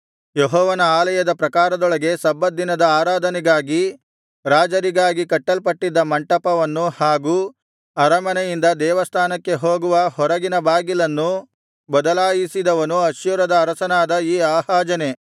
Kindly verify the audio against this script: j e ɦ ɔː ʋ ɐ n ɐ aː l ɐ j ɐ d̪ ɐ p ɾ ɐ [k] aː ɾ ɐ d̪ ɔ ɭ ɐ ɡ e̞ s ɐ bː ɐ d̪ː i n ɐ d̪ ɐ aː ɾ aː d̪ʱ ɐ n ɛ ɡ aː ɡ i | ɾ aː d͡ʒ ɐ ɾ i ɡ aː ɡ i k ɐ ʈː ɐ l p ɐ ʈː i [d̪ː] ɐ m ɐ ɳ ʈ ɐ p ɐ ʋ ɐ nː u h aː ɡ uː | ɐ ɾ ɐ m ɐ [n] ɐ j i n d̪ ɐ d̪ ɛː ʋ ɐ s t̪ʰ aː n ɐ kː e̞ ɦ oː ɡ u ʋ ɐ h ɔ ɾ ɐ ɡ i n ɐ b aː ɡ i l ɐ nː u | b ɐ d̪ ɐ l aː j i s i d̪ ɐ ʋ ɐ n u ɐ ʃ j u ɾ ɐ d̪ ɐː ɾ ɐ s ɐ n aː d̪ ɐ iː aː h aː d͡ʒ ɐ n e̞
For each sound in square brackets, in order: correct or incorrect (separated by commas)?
correct, correct, correct